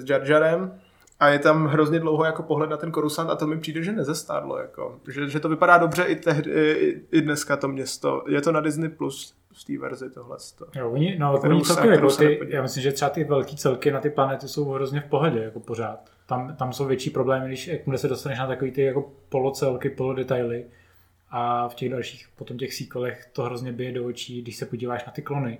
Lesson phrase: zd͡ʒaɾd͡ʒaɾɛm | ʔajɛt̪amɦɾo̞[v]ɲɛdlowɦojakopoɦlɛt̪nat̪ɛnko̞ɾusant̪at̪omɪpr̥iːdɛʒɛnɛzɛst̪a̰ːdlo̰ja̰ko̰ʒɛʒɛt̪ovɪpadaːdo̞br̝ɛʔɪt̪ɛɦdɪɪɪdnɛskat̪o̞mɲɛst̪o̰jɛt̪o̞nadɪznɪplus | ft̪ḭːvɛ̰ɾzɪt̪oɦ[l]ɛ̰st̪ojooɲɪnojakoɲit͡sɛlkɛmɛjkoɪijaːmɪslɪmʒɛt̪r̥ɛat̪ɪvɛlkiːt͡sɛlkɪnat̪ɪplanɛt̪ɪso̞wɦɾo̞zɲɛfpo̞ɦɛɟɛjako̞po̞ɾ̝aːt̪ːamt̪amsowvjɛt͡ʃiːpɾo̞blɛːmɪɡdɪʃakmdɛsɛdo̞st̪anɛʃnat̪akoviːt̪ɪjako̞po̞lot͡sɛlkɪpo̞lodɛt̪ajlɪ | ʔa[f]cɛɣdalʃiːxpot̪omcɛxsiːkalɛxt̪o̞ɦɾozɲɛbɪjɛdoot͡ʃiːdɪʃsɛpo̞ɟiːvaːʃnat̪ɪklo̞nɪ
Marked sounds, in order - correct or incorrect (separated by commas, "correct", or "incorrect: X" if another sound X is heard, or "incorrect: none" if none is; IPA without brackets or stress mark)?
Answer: incorrect: z, correct, correct